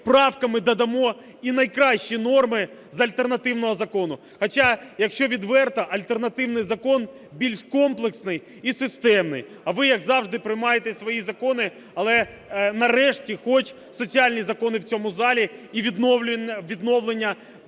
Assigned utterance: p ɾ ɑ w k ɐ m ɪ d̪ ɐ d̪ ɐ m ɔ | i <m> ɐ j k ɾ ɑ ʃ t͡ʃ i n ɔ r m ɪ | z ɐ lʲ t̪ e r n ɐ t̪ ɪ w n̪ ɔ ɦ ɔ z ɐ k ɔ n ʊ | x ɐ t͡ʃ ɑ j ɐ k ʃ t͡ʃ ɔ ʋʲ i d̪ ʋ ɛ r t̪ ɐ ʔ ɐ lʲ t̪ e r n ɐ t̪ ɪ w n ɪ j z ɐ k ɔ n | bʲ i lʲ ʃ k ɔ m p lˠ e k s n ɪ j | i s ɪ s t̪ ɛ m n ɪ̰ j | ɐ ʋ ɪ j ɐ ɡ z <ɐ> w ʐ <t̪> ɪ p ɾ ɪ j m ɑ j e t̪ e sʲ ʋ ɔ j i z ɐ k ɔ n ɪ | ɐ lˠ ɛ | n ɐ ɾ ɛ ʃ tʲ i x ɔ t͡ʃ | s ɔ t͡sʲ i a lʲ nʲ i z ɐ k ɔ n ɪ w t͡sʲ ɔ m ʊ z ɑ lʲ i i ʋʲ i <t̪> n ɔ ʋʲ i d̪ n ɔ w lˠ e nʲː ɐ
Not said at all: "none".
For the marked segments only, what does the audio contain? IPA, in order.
n, ɑ, d̪, d̪

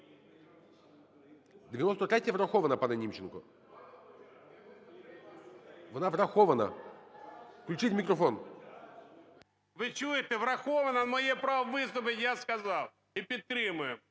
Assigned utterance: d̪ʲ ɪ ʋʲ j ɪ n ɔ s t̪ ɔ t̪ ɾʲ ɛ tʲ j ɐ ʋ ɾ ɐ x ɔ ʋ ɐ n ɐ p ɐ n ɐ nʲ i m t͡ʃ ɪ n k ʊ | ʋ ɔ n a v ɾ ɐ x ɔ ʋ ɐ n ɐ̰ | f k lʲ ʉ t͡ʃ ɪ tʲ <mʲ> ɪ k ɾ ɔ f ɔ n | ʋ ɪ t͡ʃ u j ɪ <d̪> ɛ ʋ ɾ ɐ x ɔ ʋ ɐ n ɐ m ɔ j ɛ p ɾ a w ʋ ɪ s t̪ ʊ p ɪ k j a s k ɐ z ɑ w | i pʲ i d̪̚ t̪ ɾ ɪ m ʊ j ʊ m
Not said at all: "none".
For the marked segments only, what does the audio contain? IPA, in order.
mʲ, t̪

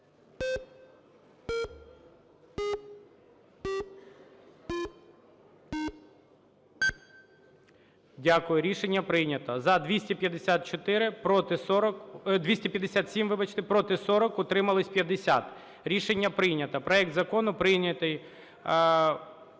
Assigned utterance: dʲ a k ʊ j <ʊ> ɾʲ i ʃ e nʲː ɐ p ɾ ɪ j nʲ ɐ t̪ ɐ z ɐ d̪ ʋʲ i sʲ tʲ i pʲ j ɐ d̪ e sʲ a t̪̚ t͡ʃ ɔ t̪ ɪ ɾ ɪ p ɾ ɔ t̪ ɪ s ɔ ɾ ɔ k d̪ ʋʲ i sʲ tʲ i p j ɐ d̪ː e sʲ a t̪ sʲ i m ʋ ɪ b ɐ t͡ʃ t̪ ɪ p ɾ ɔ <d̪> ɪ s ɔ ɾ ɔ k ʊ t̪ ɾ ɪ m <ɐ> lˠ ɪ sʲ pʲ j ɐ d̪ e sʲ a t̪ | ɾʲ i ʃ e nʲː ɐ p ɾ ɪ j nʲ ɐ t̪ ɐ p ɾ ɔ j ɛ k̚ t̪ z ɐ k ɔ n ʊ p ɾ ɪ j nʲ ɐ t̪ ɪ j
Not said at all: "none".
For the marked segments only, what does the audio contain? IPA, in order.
ʊ, t̪, ɐ

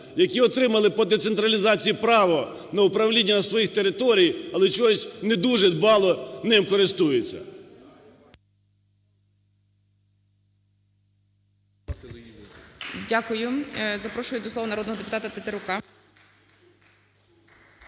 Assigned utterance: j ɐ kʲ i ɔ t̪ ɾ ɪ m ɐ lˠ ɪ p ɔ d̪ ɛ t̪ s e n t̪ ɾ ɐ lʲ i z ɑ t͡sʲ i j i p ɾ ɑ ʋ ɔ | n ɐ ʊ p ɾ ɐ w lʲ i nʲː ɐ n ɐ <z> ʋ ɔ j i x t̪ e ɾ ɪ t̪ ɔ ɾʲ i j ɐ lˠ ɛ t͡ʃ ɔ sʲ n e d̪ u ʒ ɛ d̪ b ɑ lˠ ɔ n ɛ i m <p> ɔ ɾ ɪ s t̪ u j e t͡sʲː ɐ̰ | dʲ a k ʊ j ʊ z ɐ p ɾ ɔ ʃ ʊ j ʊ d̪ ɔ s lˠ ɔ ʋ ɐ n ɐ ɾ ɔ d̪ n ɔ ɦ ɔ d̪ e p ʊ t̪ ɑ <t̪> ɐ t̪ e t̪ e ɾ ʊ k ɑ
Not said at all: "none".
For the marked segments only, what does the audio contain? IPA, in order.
s, k, t̪

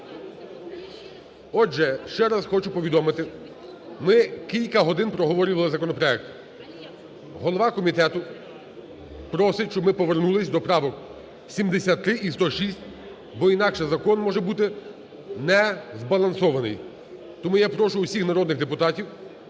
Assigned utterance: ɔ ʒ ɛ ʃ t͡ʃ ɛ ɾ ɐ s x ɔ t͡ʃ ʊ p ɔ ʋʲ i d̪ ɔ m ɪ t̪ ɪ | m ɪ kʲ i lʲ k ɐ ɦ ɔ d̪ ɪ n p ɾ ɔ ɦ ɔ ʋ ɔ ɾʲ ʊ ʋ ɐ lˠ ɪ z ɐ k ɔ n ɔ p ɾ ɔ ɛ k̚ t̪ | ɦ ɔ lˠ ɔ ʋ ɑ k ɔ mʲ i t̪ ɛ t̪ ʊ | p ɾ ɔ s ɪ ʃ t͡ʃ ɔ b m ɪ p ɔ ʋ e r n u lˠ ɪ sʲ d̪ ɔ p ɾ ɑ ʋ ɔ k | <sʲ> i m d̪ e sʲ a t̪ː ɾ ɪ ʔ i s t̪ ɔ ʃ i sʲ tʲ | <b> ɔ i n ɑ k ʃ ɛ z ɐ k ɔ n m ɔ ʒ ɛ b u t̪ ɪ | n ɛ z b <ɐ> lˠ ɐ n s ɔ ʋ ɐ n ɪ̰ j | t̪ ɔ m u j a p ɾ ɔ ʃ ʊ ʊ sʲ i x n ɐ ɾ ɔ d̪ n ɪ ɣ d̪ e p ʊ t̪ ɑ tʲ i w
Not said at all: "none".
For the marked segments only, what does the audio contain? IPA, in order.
sʲ, b, ɐ

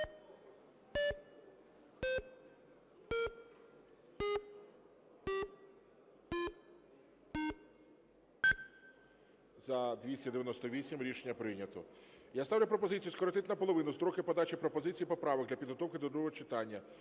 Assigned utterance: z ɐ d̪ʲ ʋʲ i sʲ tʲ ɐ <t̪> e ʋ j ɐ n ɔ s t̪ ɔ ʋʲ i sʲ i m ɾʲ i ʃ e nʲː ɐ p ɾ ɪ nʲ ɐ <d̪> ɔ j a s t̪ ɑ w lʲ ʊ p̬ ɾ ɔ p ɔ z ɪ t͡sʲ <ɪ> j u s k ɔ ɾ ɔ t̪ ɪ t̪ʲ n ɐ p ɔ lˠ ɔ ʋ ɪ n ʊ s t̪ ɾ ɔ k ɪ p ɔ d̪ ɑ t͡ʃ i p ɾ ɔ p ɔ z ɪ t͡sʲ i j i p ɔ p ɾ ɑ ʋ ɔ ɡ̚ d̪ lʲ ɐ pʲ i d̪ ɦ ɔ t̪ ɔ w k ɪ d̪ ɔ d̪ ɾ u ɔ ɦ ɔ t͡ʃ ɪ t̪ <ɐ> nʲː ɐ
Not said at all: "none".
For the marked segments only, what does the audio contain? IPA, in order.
d̪, t̪, i, ɑ

